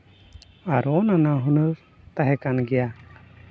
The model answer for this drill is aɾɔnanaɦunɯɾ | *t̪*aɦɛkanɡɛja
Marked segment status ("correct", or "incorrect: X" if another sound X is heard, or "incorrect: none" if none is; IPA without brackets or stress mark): correct